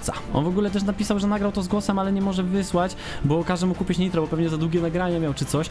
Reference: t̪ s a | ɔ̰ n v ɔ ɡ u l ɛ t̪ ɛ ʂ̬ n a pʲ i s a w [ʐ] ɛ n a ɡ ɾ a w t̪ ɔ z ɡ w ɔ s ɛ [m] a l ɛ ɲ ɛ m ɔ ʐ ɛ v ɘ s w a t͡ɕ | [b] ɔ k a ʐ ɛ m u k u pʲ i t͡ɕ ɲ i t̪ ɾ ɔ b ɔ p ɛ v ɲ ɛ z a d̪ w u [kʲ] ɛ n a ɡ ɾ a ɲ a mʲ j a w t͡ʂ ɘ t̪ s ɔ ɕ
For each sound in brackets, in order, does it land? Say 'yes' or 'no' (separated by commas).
yes, yes, yes, no